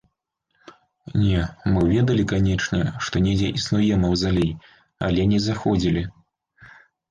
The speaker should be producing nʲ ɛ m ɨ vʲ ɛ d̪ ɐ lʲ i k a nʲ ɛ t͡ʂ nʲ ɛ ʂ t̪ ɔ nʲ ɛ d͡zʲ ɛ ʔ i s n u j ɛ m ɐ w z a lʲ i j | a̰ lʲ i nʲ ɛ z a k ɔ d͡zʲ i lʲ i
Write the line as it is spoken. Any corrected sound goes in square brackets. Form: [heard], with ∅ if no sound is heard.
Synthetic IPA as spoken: nʲ ɛ m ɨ vʲ ɛ d̪ ɐ lʲ i k a nʲ ɛ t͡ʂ nʲ ɛ ʂ t̪ ɔ nʲ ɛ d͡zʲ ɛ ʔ i s n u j ɛ m ɐ w z a lʲ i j | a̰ lʲ [ɛ] nʲ ɛ z a [x] ɔ d͡zʲ i lʲ i